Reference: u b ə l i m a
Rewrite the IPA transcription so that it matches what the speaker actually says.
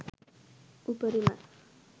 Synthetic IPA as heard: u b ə ɾ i m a